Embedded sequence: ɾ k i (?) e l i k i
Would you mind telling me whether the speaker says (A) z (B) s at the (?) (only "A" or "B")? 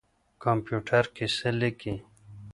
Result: B